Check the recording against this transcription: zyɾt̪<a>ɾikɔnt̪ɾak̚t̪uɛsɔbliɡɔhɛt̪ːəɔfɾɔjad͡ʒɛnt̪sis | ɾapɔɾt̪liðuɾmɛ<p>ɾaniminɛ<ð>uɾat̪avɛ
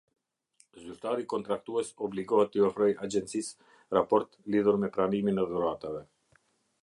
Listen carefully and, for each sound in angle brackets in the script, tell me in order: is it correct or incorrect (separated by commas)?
correct, correct, correct